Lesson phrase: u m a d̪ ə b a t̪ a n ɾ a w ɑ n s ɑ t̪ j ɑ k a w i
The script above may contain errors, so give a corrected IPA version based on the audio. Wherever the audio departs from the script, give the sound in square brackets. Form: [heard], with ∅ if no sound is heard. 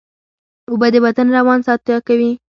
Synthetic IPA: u [b] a d̪ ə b a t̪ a n ɾ a w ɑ n s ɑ t̪ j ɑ k a w i